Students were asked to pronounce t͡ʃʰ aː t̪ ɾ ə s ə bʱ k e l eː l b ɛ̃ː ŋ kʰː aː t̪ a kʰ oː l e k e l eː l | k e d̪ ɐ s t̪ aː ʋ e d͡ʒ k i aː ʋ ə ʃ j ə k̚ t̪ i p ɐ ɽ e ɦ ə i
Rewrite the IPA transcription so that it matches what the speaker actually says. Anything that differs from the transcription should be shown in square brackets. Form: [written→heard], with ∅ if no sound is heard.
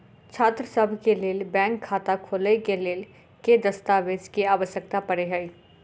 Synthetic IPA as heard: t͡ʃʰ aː t̪ ɾ ə s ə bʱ k e l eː l b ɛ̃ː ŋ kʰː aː t̪ a kʰ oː l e k e l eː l | k e d̪ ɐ s t̪ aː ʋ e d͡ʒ k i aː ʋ ə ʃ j ə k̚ t̪ [i→a] p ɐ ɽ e ɦ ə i